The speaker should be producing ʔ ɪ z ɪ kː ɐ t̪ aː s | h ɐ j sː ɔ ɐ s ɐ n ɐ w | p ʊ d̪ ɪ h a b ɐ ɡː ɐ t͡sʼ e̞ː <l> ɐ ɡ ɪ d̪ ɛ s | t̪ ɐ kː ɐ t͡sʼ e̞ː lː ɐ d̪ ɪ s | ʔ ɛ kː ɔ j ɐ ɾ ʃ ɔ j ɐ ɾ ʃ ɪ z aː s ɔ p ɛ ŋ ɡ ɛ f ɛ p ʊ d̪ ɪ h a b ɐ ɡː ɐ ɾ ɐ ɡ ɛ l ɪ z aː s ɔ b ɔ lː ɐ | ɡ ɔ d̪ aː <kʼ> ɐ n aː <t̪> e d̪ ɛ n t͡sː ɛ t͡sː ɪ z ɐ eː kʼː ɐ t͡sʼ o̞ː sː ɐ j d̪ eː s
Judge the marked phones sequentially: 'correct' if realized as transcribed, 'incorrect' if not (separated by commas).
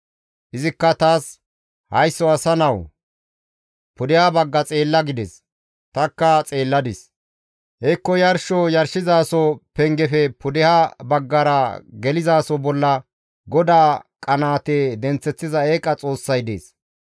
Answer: incorrect, correct, correct